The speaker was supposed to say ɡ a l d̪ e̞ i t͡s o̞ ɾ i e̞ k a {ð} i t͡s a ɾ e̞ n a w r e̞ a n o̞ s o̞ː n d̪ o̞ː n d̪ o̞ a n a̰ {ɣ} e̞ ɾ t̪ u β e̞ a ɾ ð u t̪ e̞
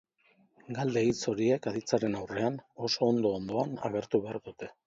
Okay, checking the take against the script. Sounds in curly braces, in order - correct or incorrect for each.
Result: correct, correct

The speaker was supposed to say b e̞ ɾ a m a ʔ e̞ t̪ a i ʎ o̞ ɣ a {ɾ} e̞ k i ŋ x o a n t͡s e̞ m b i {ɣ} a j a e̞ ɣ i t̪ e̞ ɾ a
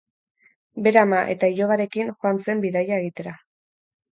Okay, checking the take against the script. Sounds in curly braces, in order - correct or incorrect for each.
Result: correct, incorrect: ð

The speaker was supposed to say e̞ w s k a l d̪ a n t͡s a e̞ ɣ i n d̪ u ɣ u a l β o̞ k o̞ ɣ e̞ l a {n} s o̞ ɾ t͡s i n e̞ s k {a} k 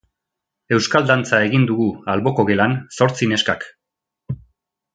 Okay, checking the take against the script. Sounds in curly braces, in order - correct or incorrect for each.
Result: correct, correct

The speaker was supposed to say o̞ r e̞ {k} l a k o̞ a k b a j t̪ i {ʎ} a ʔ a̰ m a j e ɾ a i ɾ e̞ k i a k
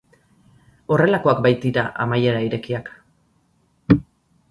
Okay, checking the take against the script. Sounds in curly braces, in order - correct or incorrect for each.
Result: incorrect: none, incorrect: ɾ

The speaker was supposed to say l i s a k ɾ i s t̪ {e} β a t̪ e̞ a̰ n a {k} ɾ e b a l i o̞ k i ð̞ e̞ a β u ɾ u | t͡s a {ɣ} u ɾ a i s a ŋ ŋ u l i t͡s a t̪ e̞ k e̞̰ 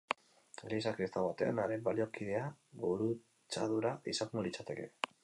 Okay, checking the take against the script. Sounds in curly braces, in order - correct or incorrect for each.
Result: incorrect: a, incorrect: none, incorrect: ð

